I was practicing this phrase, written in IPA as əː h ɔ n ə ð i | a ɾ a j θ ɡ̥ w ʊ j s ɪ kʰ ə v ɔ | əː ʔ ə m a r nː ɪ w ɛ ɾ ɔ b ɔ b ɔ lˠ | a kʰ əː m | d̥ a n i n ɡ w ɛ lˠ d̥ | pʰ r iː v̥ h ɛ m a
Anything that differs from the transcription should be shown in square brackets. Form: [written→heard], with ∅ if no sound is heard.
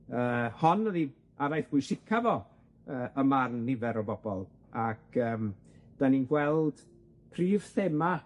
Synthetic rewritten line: əː h ɔ n ə ð i | a ɾ a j θ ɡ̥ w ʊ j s ɪ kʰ [ə→a] v ɔ | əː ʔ ə m a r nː ɪ [w→v] ɛ ɾ ɔ b ɔ b ɔ lˠ | a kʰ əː m | d̥ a n i n ɡ w ɛ lˠ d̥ | pʰ r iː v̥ [h→θ] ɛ m a